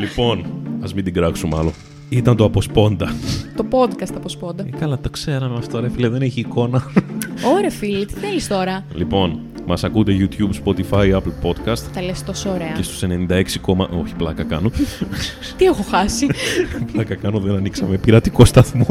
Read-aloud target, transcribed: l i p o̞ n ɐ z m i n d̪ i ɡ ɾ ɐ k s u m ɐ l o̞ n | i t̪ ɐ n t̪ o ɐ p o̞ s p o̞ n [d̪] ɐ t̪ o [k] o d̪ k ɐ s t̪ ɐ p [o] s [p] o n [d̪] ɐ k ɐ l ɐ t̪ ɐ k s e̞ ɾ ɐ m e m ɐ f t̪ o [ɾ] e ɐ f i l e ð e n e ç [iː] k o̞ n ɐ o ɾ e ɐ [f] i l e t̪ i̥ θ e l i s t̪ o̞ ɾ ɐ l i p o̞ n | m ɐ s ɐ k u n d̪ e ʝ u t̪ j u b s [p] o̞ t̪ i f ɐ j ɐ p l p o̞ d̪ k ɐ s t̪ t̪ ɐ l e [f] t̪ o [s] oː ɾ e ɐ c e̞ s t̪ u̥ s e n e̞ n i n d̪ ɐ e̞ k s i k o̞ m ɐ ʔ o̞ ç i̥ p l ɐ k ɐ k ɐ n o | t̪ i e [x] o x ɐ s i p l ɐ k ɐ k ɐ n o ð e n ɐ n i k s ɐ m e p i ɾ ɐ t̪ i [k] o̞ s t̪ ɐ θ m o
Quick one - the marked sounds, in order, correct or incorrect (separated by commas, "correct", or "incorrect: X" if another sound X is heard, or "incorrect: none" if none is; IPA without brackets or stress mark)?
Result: correct, incorrect: p, correct, correct, correct, correct, correct, correct, correct, incorrect: s, correct, correct, correct